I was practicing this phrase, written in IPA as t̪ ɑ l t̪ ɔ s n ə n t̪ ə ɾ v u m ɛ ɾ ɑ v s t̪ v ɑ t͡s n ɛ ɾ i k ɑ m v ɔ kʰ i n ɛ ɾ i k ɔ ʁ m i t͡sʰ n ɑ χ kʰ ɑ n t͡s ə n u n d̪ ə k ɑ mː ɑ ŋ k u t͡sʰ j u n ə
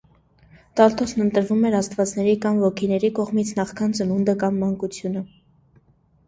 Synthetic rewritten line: t̪ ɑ l t̪ ɔ s n ə n t̪ ə ɾ v u m ɛ ɾ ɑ s t̪ v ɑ t͡s n ɛ ɾ i k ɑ m v ɔ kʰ i n ɛ ɾ i k ɔ ʁ m i t͡sʰ n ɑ χ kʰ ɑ n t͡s ə n u n d̪ ə k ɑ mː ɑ ŋ k u t͡sʰ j u n ə